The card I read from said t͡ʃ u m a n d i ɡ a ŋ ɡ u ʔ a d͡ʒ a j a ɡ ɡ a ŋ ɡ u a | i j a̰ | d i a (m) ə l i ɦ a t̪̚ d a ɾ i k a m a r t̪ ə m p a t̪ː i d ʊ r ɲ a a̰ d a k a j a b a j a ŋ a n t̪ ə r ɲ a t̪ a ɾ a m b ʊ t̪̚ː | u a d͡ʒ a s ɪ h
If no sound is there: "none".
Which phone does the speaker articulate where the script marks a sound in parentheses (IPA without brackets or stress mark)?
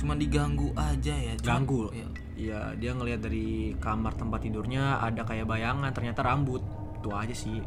ŋ